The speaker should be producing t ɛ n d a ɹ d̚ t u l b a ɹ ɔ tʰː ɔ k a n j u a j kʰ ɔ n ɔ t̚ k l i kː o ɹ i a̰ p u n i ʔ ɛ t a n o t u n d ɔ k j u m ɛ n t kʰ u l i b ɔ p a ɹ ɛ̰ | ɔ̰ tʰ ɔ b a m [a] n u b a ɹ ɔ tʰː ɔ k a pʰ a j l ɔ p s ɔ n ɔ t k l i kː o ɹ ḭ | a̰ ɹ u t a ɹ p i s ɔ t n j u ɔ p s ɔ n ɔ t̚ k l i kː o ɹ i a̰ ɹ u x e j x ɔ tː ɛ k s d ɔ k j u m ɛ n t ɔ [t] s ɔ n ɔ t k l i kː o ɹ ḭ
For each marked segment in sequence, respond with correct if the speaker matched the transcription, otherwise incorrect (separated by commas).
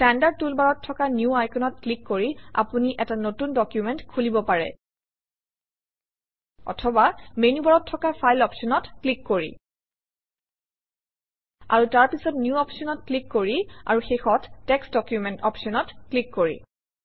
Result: incorrect, incorrect